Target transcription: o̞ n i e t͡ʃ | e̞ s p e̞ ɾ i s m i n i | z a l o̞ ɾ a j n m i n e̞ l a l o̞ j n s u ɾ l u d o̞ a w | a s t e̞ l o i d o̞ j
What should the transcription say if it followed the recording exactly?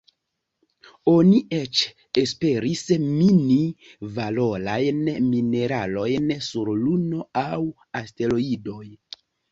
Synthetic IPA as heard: o̞ n i e t͡ʃ | e̞ s p e̞ ɾ i s m i n i | v a l o̞ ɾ a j n m i n e̞ ɾ a l o̞ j n s u ɾ l u n o̞ a w | a s t e̞ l o i d o̞ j

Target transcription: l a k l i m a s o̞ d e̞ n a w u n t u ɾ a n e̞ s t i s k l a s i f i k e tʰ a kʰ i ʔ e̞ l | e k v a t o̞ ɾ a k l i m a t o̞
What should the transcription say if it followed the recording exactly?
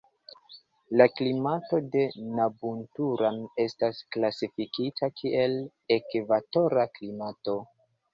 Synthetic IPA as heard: l a k l i m a t o̞ d e̞ n a b u n t u ɾ a n e̞ s t a s k l a s i f i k i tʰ a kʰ i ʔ e̞ l | e k v a t o̞ ɾ a k l i m a t o̞

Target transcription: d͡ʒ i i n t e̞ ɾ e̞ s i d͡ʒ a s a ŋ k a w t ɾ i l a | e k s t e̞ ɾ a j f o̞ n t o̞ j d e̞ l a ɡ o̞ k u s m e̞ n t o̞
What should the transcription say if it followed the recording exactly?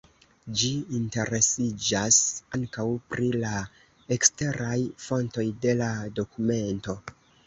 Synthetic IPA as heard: d͡ʒ i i n t e̞ ɾ e̞ s i d͡ʒ a s a ŋ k a w p ɾ i l a | e k s t e̞ ɾ a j f o̞ n t o̞ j d e̞ l a d o̞ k u m e̞ n t o̞

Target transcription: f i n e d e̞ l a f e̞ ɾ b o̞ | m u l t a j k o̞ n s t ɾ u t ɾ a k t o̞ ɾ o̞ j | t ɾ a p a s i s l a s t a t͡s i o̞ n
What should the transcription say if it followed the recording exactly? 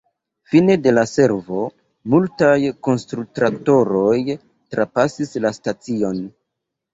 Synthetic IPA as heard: f i n e d e̞ l a s e̞ ɾ v o̞ | m u l t a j k o̞ n s t ɾ u t ɾ a k t o̞ ɾ o̞ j | t ɾ a p a s i s l a s t a t͡s i o̞ n

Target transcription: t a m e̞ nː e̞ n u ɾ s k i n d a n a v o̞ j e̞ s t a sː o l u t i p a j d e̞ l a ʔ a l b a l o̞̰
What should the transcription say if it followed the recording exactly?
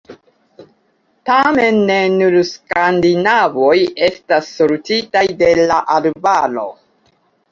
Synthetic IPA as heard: t a m e̞ nː e̞ n u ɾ s k a n d i n a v o̞ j e̞ s t a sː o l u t i t a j d e̞ l a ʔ a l b a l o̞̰

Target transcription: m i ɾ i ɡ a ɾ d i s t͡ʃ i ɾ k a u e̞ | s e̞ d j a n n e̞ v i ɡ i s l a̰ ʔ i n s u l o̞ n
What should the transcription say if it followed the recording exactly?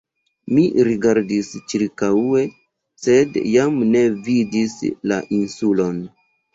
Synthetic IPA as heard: m i ɾ i ɡ a ɾ d i s t͡ʃ i ɾ k a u e̞ | s e̞ d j a m n e̞ v i d i s l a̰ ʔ i n s u l o̞ n

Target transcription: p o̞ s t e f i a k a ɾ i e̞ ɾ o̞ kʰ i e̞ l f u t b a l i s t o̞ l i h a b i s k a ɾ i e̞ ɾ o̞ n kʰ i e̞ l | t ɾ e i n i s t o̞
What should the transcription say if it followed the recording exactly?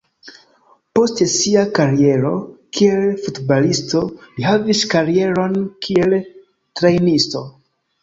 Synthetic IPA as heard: p o̞ s t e s i a k a ɾ i e̞ ɾ o̞ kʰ i e̞ l f u t b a l i s t o̞ l i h a v i s k a ɾ i e̞ ɾ o̞ n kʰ i e̞ l | t ɾ e j n i s t o̞

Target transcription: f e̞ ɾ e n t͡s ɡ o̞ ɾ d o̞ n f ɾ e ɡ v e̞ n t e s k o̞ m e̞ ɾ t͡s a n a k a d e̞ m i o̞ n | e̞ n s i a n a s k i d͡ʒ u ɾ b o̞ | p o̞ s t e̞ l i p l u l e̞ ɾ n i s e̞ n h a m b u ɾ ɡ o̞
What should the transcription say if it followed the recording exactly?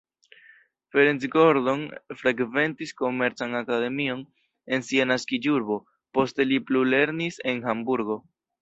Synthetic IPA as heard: f e̞ ɾ e n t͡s ɡ o̞ ɾ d o̞ n f ɾ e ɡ v e̞ n t i s k o̞ m e̞ ɾ t͡s a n a k a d e̞ m i o̞ n | e̞ n s i a n a s k i d͡ʒ u ɾ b o̞ | p o̞ s t e̞ l i p l u l e̞ ɾ n i s e̞ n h a m b u ɾ ɡ o̞

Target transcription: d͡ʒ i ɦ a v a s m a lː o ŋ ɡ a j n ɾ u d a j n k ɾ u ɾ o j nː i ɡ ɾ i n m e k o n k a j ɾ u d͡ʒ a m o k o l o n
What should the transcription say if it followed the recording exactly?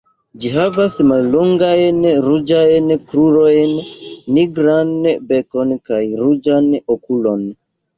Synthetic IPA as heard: d͡ʒ i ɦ a v a s m a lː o ŋ ɡ a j n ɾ u d͡ʒ a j n k ɾ u ɾ o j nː i ɡ ɾ a n b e k o n k a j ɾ u d͡ʒ a n o k u l o n

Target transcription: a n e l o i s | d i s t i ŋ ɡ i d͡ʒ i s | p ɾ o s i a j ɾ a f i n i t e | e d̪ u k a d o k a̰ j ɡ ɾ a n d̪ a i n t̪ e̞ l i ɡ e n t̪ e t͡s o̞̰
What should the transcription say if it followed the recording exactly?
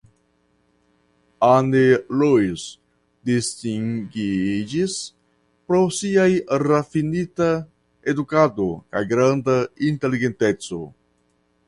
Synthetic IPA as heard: a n e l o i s | d i s t i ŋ ɡ i d͡ʒ i s | p ɾ o s i a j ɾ a f i n i t a | e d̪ u k a d o k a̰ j ɡ ɾ a n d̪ a i n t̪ e̞ l i ɡ e n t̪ e t͡s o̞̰

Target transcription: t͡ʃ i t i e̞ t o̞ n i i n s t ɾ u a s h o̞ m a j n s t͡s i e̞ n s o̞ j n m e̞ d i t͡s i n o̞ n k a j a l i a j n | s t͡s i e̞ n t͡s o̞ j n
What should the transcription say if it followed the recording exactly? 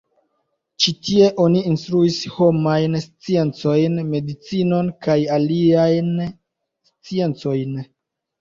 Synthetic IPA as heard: t͡ʃ i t i e̞ ʔ o̞ n i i n s t ɾ u i s h o̞ m a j n s t͡s i e̞ n t͡s o̞ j n m e̞ d i t͡s i n o̞ n k a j a l i a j n | s t͡s i e̞ n t͡s o̞ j n

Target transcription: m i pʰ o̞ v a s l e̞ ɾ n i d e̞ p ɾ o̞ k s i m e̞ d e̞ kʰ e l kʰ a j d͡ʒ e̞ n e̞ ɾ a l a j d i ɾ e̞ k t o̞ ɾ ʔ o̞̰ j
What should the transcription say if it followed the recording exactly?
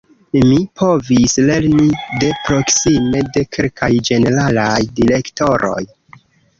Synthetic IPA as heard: m i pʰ o̞ v i s l e̞ ɾ n i d e̞ p ɾ o̞ k s i m e̞ d e̞ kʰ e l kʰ a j d͡ʒ e̞ n e̞ ɾ a l a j d i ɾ e̞ k t o̞ ɾ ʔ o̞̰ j

